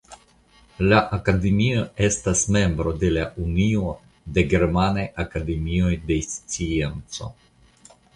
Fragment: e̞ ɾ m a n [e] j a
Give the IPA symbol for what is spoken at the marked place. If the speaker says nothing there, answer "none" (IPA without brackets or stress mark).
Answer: a